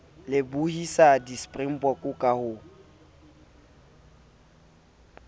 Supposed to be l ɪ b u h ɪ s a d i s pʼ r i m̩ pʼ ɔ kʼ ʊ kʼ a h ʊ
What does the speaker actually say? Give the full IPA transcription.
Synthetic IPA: l ɪ b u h i s a d i s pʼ r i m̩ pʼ ɔ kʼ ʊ kʼ a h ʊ